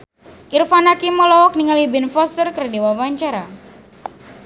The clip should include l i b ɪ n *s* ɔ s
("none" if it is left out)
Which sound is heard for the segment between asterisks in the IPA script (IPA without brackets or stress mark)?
f